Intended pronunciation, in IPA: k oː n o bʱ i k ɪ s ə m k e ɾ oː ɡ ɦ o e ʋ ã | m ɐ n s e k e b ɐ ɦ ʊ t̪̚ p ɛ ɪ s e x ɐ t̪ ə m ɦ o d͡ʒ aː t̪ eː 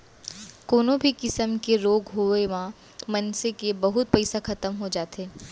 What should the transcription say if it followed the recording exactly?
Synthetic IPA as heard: k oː n o bʱ i k ɪ s ə m k e ɾ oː ɡ ɦ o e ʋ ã | m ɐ n s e k e b ɐ ɦ ʊ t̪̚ p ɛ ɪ s a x ɐ t̪ ə m ɦ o d͡ʒ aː t̪ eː